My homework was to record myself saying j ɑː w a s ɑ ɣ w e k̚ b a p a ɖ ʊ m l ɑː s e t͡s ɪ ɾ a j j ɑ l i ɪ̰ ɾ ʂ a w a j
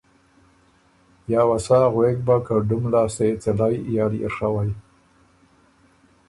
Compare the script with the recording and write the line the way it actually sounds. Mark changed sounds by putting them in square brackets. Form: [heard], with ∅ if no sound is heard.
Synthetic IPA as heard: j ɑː w a s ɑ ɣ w e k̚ b a [k] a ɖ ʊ m l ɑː s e t͡s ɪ [l] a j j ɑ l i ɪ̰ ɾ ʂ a w a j